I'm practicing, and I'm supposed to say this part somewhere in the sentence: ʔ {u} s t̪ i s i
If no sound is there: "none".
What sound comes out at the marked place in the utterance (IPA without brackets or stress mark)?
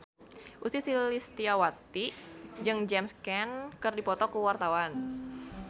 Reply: u